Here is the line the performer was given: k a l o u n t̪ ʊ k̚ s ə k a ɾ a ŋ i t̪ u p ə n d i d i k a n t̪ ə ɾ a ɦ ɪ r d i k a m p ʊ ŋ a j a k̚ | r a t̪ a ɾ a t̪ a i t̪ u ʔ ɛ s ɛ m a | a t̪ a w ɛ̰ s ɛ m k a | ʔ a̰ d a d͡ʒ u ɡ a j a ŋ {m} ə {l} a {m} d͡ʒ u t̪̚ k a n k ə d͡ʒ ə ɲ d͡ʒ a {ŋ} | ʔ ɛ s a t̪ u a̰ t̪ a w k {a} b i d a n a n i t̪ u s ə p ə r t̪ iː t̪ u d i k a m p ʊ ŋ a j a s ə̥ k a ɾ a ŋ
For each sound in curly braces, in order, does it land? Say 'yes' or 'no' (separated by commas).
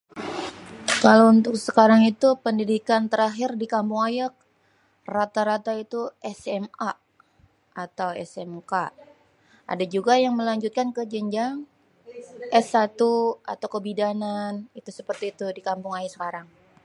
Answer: yes, yes, no, yes, no